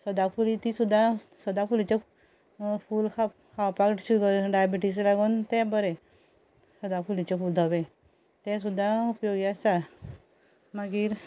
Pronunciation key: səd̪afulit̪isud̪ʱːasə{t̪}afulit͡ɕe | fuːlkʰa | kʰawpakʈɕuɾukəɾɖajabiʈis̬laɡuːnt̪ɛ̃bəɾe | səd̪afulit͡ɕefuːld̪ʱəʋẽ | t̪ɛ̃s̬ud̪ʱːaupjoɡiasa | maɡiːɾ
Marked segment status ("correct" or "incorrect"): incorrect